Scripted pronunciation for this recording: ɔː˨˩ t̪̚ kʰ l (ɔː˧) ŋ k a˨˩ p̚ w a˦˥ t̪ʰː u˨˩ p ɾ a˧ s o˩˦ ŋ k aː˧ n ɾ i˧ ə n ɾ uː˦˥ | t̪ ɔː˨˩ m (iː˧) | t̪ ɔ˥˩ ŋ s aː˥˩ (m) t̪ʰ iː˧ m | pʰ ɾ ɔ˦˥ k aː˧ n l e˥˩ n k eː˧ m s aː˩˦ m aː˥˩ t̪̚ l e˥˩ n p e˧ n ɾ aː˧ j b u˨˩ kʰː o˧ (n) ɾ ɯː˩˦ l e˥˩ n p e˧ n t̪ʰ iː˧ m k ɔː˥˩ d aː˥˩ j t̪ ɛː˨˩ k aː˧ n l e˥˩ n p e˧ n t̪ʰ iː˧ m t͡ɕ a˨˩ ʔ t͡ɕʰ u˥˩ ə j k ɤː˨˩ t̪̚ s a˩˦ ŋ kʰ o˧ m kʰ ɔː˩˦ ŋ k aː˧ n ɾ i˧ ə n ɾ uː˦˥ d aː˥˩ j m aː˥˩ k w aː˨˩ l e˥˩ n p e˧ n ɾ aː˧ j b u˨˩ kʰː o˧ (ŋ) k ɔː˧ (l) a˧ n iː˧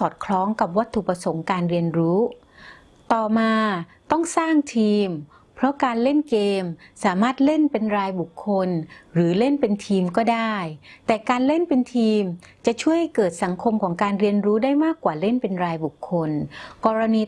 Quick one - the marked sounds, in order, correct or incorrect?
incorrect, incorrect, incorrect, correct, incorrect, incorrect

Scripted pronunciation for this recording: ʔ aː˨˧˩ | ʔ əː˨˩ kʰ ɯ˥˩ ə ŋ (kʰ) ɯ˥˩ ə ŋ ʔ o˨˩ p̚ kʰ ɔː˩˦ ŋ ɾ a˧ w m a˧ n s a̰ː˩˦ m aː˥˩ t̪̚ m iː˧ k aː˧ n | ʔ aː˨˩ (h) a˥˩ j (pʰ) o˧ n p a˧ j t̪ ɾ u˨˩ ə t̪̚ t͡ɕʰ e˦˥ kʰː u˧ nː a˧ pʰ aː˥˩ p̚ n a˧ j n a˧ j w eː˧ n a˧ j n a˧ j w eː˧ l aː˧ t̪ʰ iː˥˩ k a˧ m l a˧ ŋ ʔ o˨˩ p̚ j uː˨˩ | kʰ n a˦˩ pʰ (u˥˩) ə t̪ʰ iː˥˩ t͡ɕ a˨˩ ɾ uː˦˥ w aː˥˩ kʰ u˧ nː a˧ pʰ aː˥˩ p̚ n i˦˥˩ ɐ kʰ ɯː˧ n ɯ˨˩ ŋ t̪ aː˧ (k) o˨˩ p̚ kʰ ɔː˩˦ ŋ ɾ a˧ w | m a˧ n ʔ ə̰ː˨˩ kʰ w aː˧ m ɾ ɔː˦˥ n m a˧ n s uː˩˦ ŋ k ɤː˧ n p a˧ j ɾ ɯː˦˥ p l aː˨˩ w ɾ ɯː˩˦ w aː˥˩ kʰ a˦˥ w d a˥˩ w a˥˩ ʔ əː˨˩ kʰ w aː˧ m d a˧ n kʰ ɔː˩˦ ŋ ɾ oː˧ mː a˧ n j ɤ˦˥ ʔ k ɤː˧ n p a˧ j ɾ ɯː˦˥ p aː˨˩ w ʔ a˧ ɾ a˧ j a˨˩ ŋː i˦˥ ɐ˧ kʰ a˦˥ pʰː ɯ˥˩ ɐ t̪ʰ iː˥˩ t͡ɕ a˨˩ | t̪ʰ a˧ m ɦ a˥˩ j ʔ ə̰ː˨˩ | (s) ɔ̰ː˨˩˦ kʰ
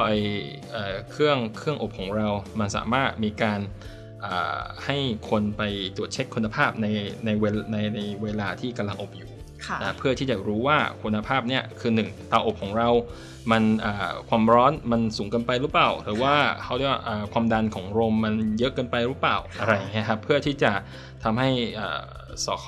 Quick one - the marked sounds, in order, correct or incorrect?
correct, correct, incorrect, incorrect, incorrect, correct

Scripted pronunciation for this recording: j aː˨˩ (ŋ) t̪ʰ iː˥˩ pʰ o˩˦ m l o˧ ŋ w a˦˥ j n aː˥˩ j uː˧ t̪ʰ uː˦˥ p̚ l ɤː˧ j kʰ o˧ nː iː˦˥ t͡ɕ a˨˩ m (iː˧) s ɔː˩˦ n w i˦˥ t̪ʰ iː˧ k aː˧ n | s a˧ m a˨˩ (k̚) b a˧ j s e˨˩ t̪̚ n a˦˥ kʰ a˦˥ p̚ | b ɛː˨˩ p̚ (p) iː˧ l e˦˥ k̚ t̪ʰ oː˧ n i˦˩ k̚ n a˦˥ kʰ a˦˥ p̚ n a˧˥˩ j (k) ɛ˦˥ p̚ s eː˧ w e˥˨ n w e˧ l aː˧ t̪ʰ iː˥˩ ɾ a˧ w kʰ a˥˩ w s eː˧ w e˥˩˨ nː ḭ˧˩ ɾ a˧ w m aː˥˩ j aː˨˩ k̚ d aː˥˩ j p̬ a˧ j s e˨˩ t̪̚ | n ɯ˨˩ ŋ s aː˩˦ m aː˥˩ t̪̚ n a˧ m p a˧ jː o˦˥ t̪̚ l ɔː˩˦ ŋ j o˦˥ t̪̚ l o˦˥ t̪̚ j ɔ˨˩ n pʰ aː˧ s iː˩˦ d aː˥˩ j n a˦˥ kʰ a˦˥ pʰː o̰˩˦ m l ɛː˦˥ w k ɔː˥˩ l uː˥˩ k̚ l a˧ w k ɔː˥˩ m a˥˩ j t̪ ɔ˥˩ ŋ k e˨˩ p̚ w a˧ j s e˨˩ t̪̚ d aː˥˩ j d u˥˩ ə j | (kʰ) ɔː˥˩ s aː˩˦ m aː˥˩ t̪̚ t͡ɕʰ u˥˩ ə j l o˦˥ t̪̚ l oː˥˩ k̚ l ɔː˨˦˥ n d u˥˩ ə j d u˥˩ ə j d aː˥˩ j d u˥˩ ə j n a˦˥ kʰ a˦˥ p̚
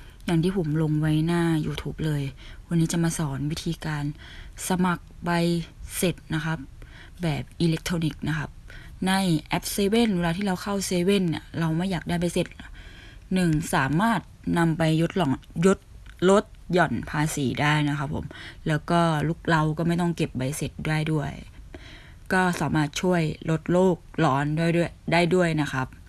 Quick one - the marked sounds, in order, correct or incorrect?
correct, incorrect, correct, incorrect, incorrect, incorrect

